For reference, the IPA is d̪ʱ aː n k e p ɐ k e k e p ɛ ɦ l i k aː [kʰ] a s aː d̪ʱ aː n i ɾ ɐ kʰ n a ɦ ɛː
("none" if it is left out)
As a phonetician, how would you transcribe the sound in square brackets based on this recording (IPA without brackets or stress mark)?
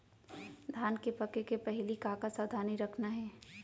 k